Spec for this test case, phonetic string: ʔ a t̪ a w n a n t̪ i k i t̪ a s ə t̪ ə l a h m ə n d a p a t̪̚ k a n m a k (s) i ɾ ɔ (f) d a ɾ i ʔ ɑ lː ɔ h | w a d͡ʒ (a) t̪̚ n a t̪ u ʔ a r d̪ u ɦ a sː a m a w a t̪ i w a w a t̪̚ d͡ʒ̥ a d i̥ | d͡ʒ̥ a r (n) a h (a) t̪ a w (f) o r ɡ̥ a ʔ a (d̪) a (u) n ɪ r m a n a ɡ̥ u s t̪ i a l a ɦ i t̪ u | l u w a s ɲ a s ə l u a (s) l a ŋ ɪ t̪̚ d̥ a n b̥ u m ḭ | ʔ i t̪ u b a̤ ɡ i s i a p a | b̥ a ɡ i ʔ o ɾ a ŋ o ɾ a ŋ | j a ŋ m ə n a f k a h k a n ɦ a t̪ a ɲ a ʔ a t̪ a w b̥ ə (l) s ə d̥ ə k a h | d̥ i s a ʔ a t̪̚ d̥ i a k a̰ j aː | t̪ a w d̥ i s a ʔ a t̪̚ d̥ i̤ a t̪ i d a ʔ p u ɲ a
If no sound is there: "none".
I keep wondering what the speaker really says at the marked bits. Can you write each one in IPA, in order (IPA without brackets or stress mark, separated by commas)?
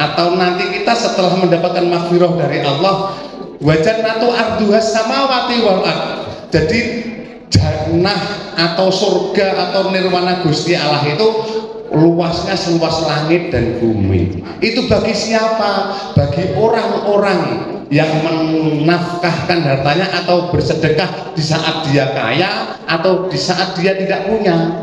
f, h, a, n, a, s, t̪, w, s, r